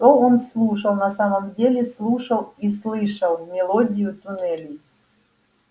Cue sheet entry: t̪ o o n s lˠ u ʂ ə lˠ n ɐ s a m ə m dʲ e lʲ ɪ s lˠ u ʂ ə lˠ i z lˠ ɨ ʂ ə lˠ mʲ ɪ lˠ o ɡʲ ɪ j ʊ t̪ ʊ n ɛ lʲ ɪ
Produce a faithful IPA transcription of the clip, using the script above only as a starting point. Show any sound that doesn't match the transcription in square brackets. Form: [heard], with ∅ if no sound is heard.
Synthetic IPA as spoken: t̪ o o n s lˠ u ʂ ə lˠ n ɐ s a m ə m dʲ e lʲ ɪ s lˠ u ʂ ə lˠ i [s] lˠ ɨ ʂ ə lˠ mʲ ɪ lˠ o [dʲ] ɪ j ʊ t̪ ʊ n ɛ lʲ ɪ